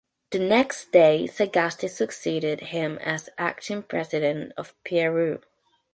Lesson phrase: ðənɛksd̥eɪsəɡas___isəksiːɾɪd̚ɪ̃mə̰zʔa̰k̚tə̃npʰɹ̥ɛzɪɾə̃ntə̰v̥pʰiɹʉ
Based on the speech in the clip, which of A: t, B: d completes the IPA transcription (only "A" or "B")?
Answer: A